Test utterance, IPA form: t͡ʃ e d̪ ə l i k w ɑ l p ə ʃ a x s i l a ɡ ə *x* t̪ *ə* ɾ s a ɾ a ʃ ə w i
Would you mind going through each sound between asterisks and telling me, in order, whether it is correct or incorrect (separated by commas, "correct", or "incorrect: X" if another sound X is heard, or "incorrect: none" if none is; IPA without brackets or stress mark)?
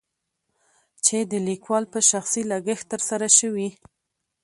correct, correct